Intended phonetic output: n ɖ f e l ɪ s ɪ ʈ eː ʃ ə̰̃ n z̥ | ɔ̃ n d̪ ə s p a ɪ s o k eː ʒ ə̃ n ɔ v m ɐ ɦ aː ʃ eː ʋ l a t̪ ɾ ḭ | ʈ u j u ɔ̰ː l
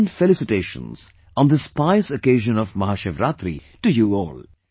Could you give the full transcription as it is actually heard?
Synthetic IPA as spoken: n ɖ f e l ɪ s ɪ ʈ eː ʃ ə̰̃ n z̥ | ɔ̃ n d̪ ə s p a ɪ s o k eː ʒ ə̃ n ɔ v m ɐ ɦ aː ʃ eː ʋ ɾ a t̪ ɾ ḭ | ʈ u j u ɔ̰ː l

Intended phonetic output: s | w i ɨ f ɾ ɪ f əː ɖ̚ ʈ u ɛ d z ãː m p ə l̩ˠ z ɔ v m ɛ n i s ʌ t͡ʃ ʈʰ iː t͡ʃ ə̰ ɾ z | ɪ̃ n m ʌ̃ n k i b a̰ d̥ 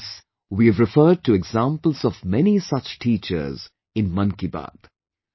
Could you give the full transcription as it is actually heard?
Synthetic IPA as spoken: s | w i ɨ v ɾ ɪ f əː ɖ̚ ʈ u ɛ ɡ z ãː m p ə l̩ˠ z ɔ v m ɛ n i s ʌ t͡ʃ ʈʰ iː t͡ʃ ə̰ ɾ z | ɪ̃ n m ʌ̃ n k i b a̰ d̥

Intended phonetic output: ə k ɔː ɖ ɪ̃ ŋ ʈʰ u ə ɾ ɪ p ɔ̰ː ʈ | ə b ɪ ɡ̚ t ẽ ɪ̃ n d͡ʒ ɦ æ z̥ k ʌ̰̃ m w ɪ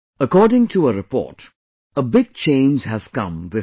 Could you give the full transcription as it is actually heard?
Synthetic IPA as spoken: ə k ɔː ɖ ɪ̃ ŋ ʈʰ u ə ɾ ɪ p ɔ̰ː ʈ | ə b ɪ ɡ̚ t͡ʃ ẽ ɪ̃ n d͡ʒ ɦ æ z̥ k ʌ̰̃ m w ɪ

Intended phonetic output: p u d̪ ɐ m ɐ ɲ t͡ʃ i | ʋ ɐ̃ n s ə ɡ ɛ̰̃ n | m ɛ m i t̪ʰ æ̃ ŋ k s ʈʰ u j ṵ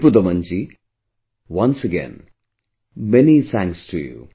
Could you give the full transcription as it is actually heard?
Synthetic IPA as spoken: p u d̪ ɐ m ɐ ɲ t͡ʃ i | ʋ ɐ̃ n s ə ɡ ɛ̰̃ n | m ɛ n i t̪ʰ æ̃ ŋ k s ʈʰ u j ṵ

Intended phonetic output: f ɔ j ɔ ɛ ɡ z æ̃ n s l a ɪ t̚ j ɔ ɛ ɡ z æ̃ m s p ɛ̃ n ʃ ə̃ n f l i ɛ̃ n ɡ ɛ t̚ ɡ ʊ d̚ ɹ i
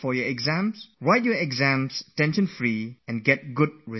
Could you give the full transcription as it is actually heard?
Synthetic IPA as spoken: f ɔ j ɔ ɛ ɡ z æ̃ m s ɹ a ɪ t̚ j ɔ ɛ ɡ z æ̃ m s t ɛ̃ n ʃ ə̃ n f ɹ i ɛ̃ n ɡ ɛ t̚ ɡ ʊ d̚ ɹ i

